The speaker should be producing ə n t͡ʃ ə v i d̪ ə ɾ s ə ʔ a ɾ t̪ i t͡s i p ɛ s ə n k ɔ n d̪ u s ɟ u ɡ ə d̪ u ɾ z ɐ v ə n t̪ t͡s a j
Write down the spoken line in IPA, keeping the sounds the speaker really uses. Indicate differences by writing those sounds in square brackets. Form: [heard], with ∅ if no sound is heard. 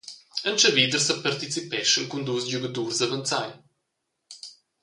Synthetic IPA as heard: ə n t͡ʃ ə v i d̪ ə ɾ s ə [p] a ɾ t̪ i t͡s i p ɛ [ʃ] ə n k [u] n d̪ u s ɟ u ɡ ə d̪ u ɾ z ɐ v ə n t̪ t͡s a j

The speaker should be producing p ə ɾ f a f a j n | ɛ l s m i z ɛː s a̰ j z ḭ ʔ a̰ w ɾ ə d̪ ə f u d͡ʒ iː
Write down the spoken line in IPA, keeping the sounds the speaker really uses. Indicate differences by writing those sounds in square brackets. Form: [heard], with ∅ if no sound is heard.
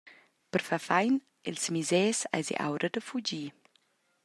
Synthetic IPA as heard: p ə ɾ f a f a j n | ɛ l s m i z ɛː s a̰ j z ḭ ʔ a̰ w ɾ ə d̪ ə f u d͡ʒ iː

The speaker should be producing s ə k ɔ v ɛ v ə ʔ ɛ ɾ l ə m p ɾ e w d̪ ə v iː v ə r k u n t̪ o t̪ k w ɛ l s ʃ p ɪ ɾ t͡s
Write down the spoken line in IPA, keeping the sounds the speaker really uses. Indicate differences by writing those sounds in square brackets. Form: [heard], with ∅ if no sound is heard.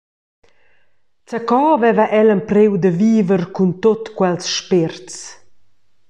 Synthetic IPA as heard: [t͡s] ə k ɔ v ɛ v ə ʔ ɛ [∅] l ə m p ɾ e w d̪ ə v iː v ə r k u n t̪ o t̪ k w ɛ l s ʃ p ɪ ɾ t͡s

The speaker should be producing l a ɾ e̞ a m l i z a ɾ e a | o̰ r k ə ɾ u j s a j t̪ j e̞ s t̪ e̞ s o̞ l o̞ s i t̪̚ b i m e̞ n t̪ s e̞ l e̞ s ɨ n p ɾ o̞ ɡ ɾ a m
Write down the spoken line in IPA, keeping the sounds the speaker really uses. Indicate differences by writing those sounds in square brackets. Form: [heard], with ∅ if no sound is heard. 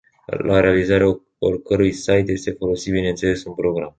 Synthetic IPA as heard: l a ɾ e̞ a [∅] l i z a ɾ e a | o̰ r k ə ɾ u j s a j t̪ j e̞ s t̪ e̞ [f] o̞ l o̞ s i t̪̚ b i [n] e̞ n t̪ s e̞ l e̞ s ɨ n p ɾ o̞ ɡ ɾ a m

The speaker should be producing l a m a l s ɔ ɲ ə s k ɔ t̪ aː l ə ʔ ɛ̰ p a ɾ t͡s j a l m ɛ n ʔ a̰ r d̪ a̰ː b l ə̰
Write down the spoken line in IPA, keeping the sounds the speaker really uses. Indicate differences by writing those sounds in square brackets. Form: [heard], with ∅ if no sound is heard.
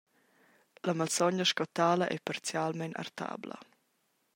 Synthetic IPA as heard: l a m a l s ɔ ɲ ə [ʃ] k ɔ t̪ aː l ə ʔ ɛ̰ p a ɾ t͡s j a l m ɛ n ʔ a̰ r [t̪] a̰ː b l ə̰

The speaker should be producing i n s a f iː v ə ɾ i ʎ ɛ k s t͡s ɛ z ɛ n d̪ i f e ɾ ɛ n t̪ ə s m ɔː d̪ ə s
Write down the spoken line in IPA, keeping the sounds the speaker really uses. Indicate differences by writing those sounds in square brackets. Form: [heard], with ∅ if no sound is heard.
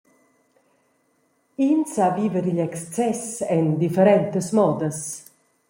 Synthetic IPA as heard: i n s a [v] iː v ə ɾ i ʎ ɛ k s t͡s ɛ [s] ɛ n d̪ i f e ɾ ɛ n t̪ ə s m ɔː d̪ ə s

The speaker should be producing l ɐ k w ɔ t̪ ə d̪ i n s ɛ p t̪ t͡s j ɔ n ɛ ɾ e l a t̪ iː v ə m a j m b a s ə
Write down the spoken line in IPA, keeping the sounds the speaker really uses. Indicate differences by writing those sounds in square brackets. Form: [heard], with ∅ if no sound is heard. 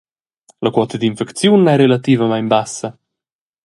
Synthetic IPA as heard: l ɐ k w ɔ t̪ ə d̪ i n [f] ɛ [k] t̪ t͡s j [u] n ɛ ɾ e l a t̪ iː v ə m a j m b a s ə

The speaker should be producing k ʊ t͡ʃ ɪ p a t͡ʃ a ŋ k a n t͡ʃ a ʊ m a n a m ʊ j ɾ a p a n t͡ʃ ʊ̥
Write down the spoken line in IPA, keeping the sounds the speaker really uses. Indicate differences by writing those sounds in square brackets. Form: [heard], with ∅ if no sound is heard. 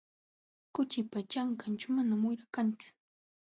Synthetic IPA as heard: k ʊ t͡ʃ ɪ p a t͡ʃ a ŋ k a n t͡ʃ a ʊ m a n a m ʊ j ɾ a [k] a n t͡ʃ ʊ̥

